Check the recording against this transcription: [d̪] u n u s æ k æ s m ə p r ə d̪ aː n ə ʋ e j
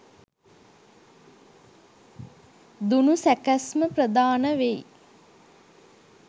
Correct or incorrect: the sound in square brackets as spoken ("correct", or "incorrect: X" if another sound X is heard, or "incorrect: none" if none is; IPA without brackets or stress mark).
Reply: correct